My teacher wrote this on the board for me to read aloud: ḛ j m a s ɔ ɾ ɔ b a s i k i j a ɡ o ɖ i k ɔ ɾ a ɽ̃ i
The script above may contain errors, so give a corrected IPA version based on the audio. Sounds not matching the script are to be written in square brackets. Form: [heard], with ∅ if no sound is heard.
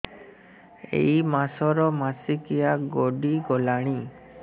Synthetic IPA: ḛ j m a s ɔ ɾ ɔ [m] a s i k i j a ɡ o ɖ i [ɡ] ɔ [l] a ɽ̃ i